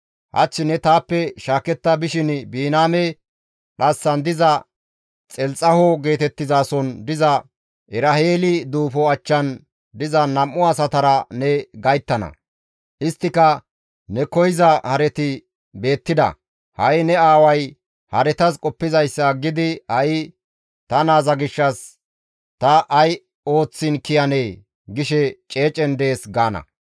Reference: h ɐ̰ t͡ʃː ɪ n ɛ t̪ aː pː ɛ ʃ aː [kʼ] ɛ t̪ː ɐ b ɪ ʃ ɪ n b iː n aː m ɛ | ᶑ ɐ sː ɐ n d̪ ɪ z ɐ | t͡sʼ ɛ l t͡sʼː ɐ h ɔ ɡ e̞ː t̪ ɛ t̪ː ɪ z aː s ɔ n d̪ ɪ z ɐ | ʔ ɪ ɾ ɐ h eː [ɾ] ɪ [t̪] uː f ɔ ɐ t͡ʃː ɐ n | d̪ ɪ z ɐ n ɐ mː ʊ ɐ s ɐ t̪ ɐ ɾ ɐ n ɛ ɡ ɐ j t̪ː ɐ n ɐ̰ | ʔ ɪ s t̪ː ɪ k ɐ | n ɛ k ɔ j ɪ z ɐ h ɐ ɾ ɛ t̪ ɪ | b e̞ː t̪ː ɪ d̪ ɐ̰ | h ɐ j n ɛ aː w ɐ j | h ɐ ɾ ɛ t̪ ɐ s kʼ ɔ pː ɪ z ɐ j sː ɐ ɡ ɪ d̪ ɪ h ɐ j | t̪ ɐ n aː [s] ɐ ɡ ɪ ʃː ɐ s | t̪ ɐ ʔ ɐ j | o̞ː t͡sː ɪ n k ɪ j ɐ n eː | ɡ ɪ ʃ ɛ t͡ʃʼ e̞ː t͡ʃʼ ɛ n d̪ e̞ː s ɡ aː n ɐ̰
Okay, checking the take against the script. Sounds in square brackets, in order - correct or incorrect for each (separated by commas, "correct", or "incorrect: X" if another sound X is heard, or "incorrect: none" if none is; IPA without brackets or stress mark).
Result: incorrect: k, incorrect: l, incorrect: d̪, incorrect: z